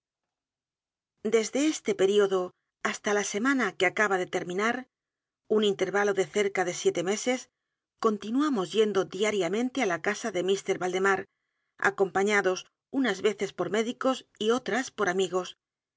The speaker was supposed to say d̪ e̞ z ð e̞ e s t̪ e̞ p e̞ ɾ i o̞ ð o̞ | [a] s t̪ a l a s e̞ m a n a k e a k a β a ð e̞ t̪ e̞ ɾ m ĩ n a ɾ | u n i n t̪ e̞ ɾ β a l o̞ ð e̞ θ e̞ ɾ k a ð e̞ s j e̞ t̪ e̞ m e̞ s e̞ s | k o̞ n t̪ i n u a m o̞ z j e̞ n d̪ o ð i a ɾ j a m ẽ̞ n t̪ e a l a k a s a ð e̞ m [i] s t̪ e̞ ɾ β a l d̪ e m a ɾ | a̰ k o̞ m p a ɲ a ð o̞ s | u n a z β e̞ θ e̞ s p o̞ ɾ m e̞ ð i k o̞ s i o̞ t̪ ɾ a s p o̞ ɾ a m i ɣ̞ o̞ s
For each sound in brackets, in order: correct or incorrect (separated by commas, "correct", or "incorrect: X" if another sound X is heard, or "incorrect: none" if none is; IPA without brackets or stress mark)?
correct, correct